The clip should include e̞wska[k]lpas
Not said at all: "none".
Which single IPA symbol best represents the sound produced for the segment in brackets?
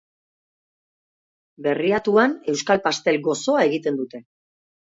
none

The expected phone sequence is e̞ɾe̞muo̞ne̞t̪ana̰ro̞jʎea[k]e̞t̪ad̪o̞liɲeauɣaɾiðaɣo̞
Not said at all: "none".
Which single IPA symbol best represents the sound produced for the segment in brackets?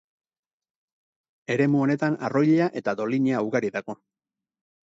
ʔ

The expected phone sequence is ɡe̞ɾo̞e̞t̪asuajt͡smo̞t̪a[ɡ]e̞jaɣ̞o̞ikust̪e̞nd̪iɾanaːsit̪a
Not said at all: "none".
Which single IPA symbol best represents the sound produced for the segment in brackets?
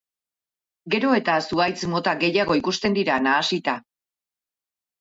ɡ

